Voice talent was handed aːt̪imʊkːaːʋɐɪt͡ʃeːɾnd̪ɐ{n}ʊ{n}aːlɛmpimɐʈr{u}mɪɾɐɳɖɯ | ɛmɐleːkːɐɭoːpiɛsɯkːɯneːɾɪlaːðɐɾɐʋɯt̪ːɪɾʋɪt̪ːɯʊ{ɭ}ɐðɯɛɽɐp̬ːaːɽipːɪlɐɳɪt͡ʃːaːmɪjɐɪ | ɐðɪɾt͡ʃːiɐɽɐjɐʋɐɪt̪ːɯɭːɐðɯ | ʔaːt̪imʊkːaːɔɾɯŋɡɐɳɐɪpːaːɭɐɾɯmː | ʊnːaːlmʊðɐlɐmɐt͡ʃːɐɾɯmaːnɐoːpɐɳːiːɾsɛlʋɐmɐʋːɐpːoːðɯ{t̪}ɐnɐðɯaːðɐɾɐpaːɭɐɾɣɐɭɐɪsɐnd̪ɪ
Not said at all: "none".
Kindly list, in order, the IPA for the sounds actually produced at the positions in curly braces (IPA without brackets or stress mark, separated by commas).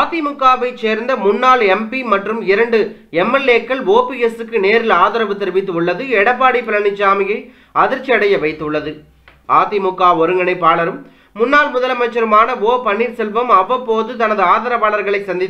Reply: m, nː, ɯ, ɭː, t̪